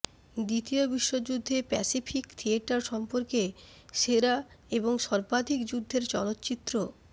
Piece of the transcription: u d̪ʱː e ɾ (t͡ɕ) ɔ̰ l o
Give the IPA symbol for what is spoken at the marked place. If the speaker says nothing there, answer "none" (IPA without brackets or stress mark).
t͡ɕ